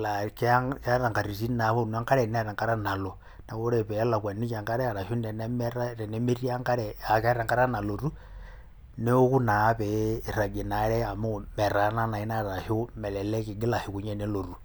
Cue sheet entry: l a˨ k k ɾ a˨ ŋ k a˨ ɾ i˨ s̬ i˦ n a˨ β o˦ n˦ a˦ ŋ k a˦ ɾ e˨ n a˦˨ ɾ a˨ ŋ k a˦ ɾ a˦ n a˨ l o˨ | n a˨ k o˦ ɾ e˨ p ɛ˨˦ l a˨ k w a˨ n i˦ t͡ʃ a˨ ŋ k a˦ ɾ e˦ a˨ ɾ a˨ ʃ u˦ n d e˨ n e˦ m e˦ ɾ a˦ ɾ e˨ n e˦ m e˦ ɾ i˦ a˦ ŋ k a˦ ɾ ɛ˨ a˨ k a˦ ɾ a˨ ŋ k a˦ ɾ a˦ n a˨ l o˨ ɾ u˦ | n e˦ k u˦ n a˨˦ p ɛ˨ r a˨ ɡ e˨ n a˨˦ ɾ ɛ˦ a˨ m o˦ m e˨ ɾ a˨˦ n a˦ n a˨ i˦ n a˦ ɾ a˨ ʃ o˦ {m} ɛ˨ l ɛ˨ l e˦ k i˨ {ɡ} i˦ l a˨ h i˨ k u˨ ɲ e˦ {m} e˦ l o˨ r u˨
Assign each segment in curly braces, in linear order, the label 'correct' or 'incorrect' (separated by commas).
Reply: correct, correct, incorrect